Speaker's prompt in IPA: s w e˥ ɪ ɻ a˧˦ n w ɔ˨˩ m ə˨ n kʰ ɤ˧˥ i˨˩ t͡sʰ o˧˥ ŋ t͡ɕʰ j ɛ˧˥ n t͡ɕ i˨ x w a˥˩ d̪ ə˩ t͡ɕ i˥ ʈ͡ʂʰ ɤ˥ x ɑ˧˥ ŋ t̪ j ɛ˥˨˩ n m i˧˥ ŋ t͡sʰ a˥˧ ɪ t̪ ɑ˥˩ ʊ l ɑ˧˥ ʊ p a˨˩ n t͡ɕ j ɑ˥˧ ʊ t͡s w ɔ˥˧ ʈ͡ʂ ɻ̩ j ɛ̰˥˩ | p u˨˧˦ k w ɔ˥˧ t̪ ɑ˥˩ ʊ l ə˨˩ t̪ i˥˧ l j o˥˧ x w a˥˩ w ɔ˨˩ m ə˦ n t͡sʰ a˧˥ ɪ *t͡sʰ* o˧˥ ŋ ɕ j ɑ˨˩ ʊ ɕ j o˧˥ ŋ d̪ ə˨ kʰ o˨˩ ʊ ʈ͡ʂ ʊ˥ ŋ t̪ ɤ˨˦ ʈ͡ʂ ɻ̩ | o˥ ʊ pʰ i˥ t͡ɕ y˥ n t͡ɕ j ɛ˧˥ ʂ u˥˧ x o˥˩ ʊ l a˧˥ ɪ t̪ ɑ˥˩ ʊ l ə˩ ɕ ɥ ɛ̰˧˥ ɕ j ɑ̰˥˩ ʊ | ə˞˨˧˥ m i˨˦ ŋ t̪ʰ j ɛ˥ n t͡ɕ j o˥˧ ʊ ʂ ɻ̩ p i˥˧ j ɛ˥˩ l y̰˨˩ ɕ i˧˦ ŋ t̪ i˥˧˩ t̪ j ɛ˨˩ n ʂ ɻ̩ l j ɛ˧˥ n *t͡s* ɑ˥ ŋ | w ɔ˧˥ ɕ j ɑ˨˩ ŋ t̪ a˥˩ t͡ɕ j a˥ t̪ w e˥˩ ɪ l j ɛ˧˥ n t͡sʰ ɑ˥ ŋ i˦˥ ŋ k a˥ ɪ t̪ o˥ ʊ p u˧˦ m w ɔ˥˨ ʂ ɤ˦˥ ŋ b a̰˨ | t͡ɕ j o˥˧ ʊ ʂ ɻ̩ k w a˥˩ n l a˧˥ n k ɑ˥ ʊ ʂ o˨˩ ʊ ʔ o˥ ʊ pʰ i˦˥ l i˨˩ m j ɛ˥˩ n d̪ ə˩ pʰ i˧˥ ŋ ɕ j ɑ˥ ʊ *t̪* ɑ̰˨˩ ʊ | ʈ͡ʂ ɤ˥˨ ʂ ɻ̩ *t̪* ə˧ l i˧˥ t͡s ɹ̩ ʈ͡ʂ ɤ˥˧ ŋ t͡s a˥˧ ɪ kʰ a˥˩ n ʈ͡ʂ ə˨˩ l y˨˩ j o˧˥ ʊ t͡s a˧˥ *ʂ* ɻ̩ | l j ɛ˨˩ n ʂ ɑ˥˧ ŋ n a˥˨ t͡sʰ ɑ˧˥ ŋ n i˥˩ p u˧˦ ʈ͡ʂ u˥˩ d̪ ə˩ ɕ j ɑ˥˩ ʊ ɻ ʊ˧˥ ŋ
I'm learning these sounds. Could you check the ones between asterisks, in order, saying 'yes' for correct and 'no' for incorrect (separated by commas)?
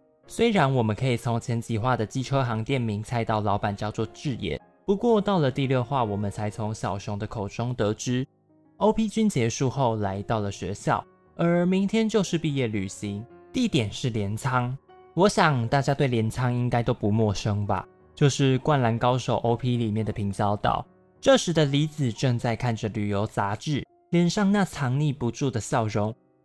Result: yes, no, yes, no, no